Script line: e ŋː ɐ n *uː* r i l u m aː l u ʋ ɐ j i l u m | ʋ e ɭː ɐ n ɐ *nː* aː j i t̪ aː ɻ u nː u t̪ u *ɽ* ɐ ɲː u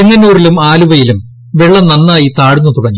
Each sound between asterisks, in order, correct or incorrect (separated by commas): correct, correct, correct